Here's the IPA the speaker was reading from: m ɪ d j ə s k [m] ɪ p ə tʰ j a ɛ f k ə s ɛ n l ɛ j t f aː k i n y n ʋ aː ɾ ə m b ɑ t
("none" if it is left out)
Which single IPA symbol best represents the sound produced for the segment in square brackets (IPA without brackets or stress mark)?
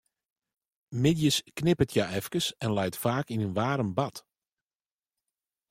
n